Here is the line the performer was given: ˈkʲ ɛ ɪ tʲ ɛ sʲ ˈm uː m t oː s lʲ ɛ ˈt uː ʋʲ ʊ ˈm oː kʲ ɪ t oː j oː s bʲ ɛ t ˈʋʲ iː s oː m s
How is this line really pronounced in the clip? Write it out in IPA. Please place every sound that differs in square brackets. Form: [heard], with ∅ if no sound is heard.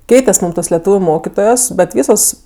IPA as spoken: ˈkʲ ɛ ɪ tʲ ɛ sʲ ˈm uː m t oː s lʲ ɛ ˈt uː ʋʲ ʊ ˈm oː kʲ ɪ t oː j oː s bʲ ɛ t ˈʋʲ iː s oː [∅] s